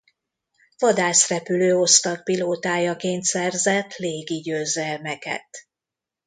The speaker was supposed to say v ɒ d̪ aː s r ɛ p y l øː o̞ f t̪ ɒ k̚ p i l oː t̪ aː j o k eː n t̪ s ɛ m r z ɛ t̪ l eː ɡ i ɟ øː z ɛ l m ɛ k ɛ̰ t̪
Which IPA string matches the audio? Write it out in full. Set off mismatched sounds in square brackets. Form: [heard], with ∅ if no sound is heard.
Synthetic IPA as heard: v ɒ d̪ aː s r ɛ p y l øː o̞ [s] t̪ ɒ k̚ p i l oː t̪ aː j [ɒ] k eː n t̪ s ɛ [∅] r z ɛ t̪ l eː ɡ i ɟ øː z ɛ l m ɛ k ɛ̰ t̪